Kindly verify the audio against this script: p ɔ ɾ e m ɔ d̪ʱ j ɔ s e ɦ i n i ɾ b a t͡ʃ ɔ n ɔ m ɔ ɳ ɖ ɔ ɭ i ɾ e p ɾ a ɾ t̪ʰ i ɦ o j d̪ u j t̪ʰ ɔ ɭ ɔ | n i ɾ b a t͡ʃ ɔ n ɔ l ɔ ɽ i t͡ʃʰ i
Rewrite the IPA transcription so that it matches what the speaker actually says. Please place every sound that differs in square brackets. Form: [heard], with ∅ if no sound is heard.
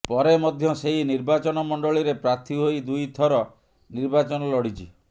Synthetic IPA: p ɔ ɾ e m ɔ d̪ʱ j ɔ s e ɦ i n i ɾ b a t͡ʃ ɔ n ɔ m ɔ ɳ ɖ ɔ ɭ i ɾ e p ɾ a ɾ t̪ʰ i ɦ o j d̪ u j t̪ʰ ɔ [ɾ] ɔ | n i ɾ b a t͡ʃ ɔ n ɔ l ɔ ɽ i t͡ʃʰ i